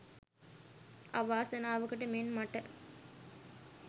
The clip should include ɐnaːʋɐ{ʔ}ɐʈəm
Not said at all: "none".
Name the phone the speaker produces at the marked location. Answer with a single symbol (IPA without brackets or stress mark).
k